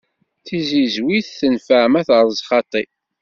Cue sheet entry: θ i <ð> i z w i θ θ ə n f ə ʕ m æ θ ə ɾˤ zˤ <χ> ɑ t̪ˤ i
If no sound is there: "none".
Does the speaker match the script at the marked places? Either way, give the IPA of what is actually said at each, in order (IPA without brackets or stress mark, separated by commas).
z, χ